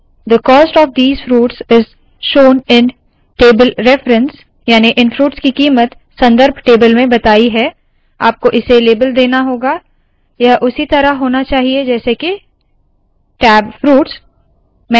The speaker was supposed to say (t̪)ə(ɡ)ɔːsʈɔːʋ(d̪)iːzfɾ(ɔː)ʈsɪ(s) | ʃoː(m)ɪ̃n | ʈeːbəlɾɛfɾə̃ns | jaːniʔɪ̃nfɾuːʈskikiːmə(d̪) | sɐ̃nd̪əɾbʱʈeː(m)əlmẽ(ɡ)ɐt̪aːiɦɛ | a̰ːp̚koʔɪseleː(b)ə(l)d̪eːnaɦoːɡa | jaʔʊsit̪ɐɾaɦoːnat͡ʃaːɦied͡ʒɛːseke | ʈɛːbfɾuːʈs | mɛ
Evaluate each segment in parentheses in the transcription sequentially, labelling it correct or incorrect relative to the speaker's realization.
incorrect: d̪, incorrect: k, correct, incorrect: uː, incorrect: z, incorrect: n, incorrect: t̪, incorrect: b, incorrect: b, correct, correct

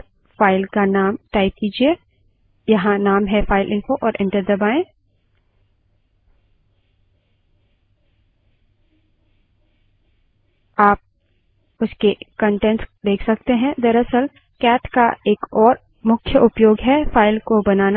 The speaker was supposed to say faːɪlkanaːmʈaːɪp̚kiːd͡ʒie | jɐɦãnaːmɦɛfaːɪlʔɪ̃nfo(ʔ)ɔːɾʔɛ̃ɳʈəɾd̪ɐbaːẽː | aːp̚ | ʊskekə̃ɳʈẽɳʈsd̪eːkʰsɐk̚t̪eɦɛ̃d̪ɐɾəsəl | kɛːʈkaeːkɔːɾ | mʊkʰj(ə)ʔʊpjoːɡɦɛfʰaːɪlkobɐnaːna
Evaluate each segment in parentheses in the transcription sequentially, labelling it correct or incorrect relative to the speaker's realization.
correct, correct

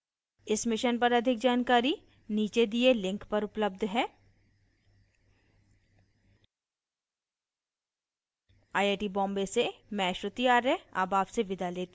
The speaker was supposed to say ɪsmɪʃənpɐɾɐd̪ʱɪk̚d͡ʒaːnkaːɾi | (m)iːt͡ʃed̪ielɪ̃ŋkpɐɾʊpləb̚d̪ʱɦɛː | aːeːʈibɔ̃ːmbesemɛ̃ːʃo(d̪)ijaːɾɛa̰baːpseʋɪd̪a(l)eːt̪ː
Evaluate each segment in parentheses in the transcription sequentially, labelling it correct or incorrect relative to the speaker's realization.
incorrect: n, incorrect: t̪, correct

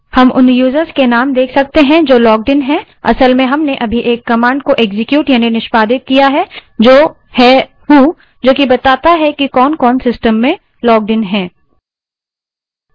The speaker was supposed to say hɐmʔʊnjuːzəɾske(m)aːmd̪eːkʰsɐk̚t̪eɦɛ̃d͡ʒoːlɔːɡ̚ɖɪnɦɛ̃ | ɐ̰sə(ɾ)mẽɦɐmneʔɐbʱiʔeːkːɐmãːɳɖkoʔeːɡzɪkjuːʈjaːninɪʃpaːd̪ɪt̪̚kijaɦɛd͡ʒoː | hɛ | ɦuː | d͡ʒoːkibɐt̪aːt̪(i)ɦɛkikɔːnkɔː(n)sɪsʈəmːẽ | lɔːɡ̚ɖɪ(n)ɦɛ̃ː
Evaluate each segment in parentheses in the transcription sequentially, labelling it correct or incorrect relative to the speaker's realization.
incorrect: n, incorrect: l, incorrect: a, correct, correct

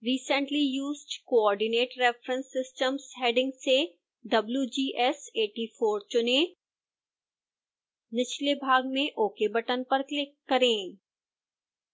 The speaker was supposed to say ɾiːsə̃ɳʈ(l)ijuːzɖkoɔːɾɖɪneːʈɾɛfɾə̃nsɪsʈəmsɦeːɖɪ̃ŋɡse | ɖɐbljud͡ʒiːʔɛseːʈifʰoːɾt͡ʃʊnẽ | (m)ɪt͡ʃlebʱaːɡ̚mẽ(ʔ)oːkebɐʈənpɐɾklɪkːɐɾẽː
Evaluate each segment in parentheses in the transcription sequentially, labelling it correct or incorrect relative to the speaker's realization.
correct, incorrect: n, correct

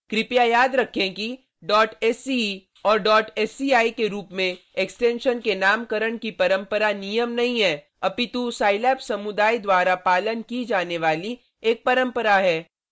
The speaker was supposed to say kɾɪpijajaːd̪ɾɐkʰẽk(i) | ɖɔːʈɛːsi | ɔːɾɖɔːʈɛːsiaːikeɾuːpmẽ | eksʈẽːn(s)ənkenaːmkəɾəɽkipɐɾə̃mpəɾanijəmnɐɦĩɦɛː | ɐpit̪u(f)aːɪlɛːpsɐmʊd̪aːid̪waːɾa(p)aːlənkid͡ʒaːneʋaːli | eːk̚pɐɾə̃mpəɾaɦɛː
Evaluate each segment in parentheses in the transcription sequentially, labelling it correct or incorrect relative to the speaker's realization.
correct, incorrect: ʃ, incorrect: s, correct

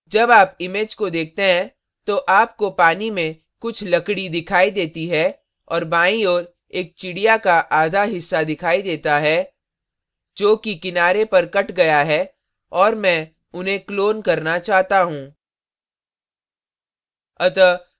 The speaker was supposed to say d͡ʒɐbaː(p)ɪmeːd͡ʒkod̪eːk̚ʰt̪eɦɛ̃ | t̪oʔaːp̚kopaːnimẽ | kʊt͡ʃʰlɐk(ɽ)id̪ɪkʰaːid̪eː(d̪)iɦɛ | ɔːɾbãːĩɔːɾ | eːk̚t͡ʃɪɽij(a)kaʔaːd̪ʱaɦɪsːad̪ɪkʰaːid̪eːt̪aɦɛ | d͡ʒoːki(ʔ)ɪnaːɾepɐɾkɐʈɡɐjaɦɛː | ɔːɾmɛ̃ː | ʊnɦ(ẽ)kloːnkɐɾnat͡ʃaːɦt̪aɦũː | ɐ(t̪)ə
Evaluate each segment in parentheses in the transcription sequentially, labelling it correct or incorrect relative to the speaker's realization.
correct, correct, incorrect: t̪, correct, incorrect: k, correct, correct

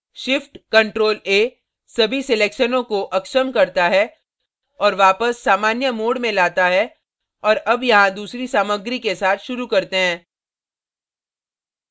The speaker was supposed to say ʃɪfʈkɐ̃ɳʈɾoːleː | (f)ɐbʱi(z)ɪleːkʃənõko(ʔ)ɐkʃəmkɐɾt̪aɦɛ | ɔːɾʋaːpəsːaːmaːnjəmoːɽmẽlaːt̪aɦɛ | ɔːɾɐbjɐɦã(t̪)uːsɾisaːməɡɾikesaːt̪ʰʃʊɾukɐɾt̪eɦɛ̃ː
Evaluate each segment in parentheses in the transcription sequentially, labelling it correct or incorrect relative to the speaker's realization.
incorrect: s, incorrect: s, correct, incorrect: d̪

